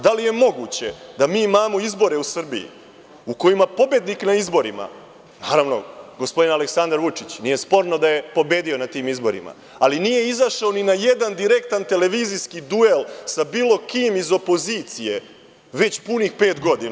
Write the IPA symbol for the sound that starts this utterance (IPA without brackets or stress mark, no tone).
d̪